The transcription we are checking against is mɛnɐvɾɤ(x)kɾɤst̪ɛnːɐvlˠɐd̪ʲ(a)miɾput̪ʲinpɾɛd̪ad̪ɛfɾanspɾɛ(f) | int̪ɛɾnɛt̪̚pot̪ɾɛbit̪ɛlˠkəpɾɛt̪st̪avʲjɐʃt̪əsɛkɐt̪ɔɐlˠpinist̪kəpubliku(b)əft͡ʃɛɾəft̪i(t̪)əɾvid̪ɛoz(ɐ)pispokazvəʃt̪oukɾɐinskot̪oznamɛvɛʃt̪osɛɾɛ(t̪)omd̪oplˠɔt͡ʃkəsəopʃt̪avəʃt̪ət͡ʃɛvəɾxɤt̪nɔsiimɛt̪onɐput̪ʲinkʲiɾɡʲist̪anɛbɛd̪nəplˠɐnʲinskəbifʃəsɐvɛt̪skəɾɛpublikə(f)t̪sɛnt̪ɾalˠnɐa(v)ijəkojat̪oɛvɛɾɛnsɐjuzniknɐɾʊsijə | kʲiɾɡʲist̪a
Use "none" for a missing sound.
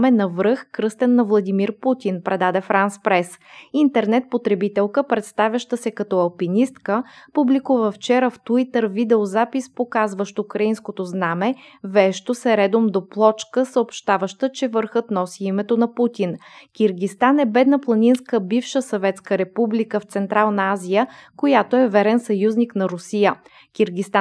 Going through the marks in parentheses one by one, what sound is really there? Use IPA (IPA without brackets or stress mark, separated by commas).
x, i, s, v, t̪, a, d̪, f, z